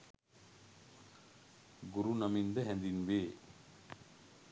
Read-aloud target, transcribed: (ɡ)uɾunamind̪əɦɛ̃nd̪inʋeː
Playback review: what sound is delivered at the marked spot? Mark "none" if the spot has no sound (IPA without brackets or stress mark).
ɡ